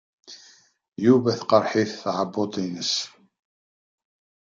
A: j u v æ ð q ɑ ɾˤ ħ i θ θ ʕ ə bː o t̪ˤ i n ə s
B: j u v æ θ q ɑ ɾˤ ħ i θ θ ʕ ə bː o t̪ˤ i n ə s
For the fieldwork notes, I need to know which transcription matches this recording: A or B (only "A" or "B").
B